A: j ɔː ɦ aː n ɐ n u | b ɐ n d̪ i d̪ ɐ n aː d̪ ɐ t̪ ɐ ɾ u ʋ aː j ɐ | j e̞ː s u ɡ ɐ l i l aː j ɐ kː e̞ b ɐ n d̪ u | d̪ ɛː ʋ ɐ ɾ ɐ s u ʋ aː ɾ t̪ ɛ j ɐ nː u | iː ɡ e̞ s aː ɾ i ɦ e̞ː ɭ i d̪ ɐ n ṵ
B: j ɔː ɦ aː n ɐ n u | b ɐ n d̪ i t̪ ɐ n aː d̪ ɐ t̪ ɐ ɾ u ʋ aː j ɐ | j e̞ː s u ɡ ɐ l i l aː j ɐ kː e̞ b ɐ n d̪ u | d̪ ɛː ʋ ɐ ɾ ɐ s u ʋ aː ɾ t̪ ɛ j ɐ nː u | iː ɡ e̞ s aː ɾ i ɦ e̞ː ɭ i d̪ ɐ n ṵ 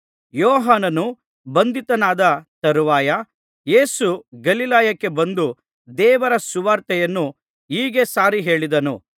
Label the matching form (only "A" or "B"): B